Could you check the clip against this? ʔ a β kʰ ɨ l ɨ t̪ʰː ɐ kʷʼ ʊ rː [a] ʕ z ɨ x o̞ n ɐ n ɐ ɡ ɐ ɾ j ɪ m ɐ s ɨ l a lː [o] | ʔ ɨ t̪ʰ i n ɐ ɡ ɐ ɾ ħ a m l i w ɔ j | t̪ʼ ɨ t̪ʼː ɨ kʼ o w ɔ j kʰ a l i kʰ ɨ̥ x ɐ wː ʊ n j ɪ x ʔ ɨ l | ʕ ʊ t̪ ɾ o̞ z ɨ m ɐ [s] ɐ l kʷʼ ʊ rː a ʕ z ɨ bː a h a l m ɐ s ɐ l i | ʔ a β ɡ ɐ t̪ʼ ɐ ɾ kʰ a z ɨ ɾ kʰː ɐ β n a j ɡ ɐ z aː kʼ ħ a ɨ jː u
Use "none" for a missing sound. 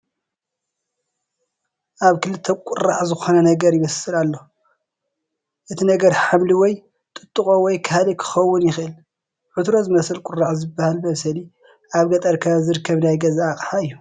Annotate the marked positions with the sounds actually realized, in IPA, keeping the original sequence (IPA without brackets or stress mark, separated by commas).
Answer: a, o, s